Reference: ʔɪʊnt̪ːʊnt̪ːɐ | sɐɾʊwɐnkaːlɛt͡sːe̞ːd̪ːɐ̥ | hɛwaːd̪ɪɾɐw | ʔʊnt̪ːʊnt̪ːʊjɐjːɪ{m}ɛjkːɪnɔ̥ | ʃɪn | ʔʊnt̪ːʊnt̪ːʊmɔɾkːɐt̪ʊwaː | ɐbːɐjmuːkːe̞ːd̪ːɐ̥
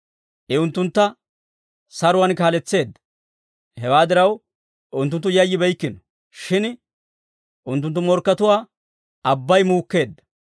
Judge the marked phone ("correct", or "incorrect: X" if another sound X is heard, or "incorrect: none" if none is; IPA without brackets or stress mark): incorrect: b